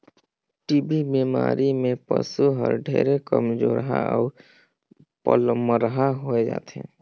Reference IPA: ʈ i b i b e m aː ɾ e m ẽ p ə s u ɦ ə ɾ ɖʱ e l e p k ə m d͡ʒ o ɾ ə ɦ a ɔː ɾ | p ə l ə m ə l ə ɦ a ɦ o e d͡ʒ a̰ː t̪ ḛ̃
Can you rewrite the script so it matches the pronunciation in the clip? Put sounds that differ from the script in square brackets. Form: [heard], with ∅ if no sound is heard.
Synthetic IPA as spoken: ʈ i b i b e m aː ɾ [i] m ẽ p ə s u ɦ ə ɾ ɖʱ e [ɾ] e [∅] k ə m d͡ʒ o ɾ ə ɦ a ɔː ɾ | p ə l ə m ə [ɾ] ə ɦ a ɦ o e d͡ʒ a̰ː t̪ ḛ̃